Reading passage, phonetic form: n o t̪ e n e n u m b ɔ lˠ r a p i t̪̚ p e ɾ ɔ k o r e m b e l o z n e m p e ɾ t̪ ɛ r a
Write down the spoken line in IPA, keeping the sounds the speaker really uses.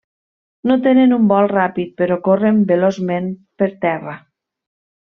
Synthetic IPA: n o t̪ e n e n u m b ɔ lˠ r a p i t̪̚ p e ɾ ɔ k o r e m b e l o z m e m p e ɾ t̪ ɛ r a